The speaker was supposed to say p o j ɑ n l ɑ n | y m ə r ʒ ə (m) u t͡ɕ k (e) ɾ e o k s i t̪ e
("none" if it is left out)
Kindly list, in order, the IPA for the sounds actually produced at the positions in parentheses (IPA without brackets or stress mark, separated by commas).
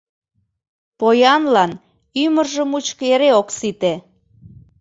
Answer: m, e